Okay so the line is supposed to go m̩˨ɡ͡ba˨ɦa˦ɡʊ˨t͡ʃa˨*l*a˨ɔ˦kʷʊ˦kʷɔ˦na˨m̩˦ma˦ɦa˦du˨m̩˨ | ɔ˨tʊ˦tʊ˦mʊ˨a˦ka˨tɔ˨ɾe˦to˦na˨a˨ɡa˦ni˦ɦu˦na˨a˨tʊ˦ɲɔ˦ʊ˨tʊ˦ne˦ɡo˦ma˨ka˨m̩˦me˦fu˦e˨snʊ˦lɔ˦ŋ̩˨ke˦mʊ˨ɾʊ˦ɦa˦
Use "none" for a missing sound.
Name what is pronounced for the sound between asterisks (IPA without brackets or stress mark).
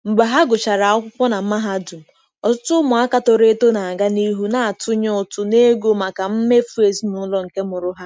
ɾ